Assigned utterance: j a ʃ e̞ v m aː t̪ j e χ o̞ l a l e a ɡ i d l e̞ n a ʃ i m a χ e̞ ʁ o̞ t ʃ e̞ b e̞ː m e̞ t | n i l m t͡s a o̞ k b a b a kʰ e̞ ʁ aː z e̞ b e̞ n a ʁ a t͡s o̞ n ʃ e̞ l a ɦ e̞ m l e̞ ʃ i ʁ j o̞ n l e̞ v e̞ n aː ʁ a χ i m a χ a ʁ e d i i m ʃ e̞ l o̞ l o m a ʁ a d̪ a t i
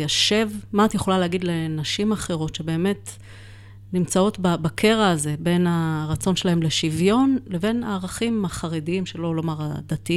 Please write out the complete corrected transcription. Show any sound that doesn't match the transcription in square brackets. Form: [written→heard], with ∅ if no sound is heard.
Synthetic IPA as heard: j a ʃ e̞ v m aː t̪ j e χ o̞ l a l e a ɡ i d l e̞ n a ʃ i m a χ e̞ ʁ o̞ t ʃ e̞ b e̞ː m e̞ t | n i [l→∅] m t͡s a o̞ [k→t] b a b a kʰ e̞ ʁ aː z e̞ b e̞ n a ʁ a t͡s o̞ n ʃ e̞ l a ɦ e̞ m l e̞ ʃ i [ʁ→v] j o̞ n l e̞ v e̞ n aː ʁ a χ i m a χ a ʁ e d i i m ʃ e̞ l o̞ l o m a ʁ a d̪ a t i